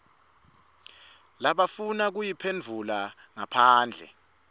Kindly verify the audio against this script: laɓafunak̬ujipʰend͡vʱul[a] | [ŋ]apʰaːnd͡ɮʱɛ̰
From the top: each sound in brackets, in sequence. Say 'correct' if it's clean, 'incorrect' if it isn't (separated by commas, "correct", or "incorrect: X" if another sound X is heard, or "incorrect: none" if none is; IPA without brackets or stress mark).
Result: correct, correct